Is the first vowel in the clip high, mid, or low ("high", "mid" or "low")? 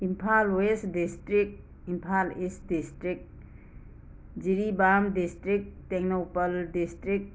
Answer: high